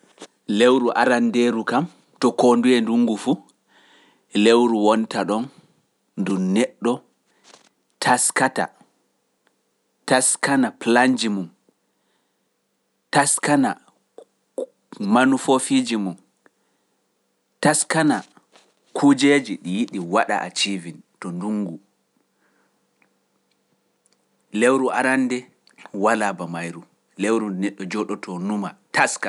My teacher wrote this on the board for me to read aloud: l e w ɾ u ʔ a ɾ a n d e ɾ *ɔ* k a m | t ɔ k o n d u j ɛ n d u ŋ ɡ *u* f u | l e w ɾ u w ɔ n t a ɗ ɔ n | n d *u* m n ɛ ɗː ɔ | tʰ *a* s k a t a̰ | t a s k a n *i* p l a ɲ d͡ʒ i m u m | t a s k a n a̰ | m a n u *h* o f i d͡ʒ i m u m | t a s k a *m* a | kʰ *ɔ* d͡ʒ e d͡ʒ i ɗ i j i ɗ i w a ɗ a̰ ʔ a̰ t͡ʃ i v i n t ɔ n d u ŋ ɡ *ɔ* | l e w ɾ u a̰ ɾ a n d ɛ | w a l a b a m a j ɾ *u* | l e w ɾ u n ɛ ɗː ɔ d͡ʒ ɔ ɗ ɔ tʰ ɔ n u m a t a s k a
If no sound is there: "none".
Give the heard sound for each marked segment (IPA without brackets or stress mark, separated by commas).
u, u, u, a, a, f, n, u, u, u